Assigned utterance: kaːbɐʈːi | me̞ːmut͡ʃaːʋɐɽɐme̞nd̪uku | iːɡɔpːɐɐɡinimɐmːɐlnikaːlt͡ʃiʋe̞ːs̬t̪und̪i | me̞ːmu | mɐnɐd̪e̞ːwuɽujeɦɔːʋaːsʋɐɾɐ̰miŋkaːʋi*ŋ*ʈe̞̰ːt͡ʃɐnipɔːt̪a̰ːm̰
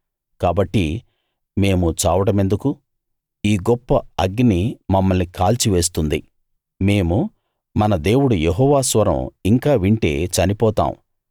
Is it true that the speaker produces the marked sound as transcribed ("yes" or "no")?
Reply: no